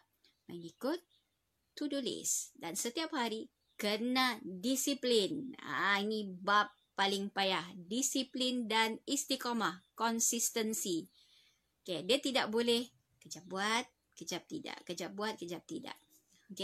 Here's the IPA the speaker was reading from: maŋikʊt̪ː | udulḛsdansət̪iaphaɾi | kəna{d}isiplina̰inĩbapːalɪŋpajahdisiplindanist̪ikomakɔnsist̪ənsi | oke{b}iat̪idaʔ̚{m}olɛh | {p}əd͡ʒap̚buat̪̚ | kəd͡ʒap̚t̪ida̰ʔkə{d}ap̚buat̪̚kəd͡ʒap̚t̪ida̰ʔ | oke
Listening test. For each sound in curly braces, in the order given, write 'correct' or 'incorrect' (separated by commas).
correct, incorrect, incorrect, incorrect, incorrect